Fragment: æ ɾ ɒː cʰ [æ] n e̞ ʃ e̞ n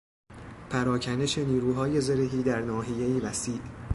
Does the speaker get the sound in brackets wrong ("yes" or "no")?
no